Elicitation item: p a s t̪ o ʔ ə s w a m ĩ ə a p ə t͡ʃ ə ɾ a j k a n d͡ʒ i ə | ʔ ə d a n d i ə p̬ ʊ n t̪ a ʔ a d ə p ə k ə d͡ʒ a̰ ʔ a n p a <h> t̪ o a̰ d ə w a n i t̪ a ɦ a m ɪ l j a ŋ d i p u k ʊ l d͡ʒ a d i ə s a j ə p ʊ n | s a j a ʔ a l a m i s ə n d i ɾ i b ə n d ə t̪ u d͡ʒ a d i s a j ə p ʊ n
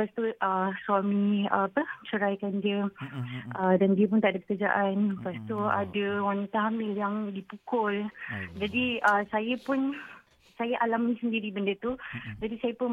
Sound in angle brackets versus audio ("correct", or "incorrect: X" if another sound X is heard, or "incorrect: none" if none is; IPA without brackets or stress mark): incorrect: s